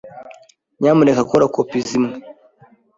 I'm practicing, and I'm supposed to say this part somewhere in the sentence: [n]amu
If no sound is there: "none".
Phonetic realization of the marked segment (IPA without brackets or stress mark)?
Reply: ɲ